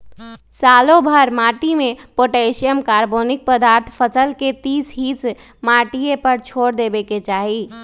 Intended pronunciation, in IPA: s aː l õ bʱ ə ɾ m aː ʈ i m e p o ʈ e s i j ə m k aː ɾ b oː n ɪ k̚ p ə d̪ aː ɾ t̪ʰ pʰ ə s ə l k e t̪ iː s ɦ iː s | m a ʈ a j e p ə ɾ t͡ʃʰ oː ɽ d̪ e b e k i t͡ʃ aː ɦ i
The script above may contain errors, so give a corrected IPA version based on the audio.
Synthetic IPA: s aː l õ bʱ ə ɾ m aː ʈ i m e p o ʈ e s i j ə m k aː ɾ b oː n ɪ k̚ p ə d̪ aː ɾ t̪ʰ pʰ ə s ə l k e t̪ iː s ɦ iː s | m a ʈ i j e p ə ɾ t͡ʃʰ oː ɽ d̪ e b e k e t͡ʃ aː ɦ i